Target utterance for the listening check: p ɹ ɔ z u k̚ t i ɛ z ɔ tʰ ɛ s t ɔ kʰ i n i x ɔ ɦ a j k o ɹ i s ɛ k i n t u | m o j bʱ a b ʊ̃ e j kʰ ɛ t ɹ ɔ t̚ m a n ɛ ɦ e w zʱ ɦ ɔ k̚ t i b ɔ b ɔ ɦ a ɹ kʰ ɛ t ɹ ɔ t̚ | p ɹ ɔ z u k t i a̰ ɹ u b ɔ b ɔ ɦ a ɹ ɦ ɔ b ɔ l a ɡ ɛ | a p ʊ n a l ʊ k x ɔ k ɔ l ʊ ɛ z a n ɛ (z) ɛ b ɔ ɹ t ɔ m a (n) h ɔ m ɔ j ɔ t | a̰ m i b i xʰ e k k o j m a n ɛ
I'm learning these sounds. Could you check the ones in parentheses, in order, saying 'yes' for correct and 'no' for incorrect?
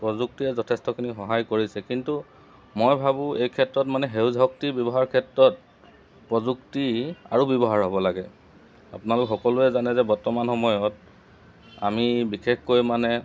yes, yes

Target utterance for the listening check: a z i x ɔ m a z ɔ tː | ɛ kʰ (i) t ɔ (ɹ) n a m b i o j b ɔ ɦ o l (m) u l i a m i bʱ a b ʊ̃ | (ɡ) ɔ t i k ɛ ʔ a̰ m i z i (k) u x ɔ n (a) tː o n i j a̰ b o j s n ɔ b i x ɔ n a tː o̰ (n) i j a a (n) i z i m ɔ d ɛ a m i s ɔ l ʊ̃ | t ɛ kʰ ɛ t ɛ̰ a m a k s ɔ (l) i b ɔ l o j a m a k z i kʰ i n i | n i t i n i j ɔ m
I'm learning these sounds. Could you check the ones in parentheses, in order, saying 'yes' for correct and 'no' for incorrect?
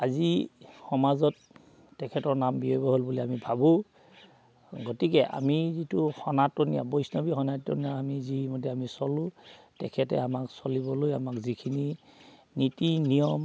no, yes, no, yes, no, yes, yes, no, yes

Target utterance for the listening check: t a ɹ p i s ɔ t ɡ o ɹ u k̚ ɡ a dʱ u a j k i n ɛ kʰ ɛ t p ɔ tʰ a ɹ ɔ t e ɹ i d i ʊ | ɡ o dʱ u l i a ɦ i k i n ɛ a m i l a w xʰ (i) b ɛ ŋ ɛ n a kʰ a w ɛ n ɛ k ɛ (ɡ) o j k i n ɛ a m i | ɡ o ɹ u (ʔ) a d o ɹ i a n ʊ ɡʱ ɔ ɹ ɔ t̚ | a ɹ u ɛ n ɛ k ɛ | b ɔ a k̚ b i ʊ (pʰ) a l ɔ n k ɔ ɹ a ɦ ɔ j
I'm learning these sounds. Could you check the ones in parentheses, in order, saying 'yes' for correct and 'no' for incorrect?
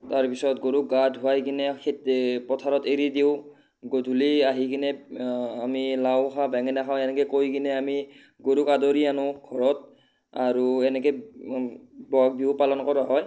no, no, no, no

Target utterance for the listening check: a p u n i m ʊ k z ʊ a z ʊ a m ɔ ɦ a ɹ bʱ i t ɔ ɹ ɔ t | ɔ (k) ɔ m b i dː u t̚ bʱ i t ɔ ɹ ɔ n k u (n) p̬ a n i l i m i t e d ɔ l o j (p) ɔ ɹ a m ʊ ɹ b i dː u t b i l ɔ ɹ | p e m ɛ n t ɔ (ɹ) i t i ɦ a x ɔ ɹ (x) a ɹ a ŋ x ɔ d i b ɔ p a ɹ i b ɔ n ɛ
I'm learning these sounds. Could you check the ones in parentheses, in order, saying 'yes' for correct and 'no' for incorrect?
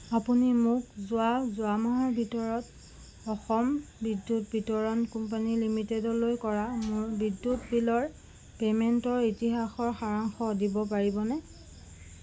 no, no, no, yes, yes

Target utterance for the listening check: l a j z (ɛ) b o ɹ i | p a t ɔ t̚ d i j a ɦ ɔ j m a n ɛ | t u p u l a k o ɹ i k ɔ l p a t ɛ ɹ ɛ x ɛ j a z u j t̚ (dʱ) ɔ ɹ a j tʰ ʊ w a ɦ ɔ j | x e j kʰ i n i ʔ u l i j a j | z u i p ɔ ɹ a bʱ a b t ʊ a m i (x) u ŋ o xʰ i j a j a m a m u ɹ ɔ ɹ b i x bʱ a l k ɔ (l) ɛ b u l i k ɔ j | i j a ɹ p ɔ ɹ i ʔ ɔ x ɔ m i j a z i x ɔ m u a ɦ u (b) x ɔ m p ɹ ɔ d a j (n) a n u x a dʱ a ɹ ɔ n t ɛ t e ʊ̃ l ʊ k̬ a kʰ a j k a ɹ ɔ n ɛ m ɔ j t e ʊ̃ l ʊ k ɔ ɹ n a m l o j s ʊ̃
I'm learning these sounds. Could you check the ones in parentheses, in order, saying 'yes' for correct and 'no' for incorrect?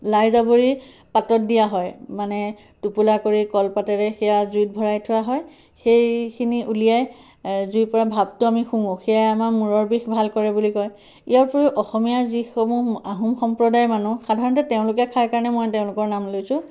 no, no, yes, no, no, no

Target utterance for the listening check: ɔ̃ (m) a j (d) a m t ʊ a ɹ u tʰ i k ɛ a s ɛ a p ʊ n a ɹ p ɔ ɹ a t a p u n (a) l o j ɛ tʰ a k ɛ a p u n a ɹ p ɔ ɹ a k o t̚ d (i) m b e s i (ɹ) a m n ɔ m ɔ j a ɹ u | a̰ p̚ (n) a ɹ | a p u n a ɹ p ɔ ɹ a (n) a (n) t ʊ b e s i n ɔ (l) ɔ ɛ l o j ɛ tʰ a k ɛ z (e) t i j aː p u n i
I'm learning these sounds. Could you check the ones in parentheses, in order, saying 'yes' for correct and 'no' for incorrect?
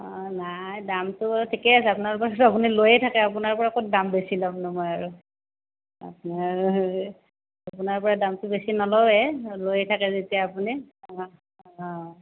no, yes, no, no, no, yes, no, no, yes, yes

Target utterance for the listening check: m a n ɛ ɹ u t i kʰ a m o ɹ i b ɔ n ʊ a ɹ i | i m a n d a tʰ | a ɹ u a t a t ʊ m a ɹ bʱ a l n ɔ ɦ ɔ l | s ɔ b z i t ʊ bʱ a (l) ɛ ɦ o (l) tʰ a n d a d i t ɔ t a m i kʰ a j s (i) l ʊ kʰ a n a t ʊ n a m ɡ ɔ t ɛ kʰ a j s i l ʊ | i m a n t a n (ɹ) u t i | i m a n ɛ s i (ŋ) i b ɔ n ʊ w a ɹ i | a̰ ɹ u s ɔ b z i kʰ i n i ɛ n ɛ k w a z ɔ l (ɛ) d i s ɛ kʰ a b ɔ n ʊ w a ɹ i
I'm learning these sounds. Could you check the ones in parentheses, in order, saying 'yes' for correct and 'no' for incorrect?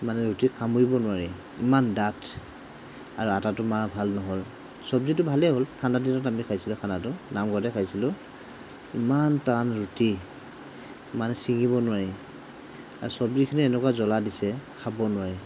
yes, yes, yes, yes, yes, no

